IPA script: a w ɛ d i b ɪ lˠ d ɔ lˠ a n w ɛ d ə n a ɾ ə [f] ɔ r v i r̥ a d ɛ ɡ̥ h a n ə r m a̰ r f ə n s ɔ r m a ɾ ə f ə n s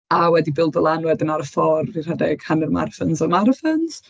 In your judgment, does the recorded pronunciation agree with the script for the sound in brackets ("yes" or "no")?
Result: yes